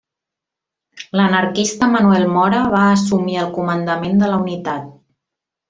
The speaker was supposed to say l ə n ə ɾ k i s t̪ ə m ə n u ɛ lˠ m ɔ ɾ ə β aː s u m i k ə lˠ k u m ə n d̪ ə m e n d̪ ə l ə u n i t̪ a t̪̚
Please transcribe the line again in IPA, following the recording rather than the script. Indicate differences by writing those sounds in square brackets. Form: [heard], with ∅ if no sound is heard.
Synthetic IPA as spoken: l ə n ə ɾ k i s t̪ ə m ə n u ɛ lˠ m ɔ ɾ ə β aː s u m i [∅] ə lˠ k u m ə n d̪ ə m e n d̪ ə l ə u n i t̪ a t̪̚